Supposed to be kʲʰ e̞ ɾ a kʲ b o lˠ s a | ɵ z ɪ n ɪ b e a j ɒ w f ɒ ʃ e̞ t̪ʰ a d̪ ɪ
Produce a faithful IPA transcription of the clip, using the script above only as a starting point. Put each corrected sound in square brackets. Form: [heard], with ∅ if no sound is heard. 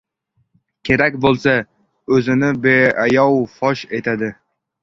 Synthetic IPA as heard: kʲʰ e̞ ɾ a kʲ b o lˠ s a | ɵ z ɪ n ɪ b e a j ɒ w f ɒ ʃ e̞ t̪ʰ a d̪ ɪ